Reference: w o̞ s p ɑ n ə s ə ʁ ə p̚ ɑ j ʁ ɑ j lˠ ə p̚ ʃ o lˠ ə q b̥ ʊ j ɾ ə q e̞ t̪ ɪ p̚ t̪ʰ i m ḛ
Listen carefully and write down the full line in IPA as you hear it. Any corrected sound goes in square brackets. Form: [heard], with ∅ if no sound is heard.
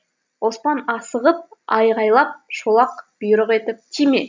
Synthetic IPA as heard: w o̞ s p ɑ n [ɑ] s ə ʁ ə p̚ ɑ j ʁ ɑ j lˠ [ɑ] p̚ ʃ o lˠ [ɑ] q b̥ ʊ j ɾ ə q e̞ t̪ ɪ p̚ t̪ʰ i m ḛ